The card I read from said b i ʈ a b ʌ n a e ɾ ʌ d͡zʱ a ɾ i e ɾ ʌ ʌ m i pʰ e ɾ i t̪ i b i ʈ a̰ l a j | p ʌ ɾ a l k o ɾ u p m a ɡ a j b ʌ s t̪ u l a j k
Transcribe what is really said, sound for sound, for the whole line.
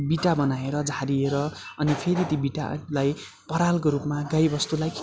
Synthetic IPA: b i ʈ a b ʌ n a e ɾ ʌ d͡zʱ a ɾ i e ɾ ʌ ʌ n i pʰ e ɾ i t̪ i b i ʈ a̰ l a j | p ʌ ɾ a l k o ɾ u p m a ɡ a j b ʌ s t̪ u l a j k